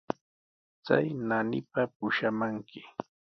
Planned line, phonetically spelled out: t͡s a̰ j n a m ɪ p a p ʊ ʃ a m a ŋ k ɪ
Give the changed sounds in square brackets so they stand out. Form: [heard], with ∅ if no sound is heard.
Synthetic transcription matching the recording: t͡s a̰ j n a [n] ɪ p a p ʊ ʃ a m a ŋ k ɪ